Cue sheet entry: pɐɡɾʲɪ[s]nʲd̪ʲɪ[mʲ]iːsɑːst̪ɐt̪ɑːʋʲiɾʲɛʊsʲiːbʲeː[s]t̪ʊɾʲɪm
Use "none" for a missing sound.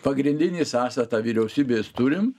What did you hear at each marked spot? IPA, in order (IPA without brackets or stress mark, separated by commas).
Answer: none, nʲ, s